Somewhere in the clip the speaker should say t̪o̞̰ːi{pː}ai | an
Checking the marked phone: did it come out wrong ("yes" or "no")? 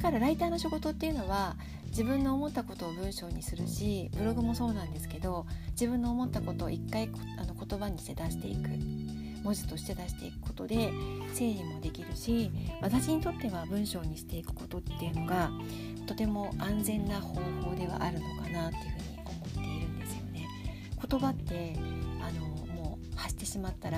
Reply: yes